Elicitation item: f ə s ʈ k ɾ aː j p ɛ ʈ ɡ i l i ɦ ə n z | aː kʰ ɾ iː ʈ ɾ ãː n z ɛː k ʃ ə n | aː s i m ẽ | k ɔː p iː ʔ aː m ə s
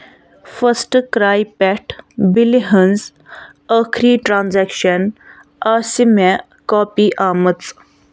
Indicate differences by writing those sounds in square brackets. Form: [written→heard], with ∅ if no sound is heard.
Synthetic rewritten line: f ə s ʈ k ɾ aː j p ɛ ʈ [ɡ→b] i l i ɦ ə n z | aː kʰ ɾ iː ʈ ɾ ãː n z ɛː k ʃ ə n | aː s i m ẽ | k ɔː p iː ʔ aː m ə [s→t͡s]